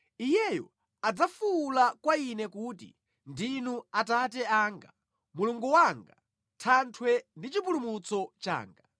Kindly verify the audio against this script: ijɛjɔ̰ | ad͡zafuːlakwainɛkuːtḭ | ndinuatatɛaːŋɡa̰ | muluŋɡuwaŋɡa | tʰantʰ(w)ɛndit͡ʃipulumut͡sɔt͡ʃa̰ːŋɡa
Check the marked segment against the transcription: correct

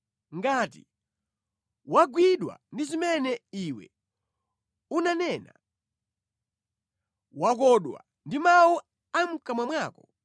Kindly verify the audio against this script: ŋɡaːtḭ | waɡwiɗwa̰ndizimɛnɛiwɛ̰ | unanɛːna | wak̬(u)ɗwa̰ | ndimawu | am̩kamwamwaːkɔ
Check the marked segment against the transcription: incorrect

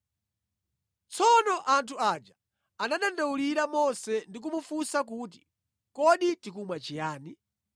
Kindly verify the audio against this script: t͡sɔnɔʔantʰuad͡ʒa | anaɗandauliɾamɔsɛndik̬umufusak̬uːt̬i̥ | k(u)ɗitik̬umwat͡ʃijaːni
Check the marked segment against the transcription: incorrect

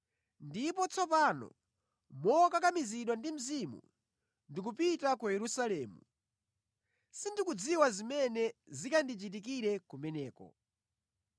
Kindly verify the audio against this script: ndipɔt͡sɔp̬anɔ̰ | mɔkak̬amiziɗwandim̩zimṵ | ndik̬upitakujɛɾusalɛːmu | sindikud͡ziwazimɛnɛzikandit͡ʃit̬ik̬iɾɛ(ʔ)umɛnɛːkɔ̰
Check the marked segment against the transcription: incorrect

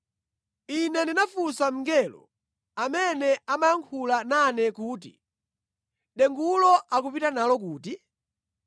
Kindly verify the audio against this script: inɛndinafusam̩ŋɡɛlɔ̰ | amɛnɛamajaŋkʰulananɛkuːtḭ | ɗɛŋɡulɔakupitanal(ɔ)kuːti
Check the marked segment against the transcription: correct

